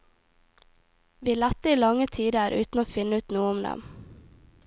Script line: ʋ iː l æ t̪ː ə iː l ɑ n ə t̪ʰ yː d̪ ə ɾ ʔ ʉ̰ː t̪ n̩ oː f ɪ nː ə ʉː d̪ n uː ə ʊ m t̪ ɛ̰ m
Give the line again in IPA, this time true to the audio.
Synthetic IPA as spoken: ʋ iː l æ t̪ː ə iː l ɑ ŋ ə t̪ʰ iː d̪ ə ɾ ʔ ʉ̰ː t̪ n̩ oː f ɪ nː ə ʉː t̪ n uː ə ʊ m d̪ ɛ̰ m